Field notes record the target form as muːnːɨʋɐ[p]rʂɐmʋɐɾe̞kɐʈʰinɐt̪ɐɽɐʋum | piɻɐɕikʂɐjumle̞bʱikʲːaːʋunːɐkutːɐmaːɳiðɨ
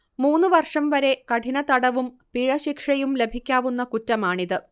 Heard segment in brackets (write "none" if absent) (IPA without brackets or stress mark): none